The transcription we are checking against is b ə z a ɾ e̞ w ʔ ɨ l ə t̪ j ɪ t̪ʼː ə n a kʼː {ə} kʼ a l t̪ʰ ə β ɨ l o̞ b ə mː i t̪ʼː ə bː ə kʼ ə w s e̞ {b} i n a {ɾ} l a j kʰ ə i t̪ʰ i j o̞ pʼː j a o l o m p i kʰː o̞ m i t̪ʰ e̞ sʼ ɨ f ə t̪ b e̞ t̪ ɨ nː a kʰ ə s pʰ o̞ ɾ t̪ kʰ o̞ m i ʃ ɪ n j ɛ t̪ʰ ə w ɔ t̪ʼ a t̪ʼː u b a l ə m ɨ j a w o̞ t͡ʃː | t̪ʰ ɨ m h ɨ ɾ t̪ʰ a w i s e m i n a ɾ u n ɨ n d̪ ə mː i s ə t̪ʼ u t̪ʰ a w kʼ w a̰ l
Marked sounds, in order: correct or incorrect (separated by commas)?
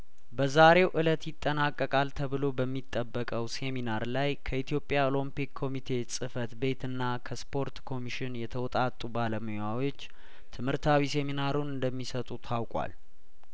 correct, incorrect, correct